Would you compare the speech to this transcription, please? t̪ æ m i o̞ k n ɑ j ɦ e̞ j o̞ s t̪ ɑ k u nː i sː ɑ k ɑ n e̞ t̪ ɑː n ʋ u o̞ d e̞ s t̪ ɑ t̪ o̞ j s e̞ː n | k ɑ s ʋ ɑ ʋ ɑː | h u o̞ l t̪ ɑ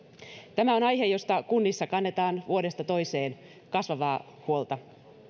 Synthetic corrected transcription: t̪ æ m æ o̞ n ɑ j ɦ e̞ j o̞ s t̪ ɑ k u nː i sː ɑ k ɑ nː e̞ t̪ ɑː n ʋ u o̞ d e̞ s t̪ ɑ t̪ o̞ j s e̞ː n | k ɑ s ʋ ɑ ʋ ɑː | h u o̞ l t̪ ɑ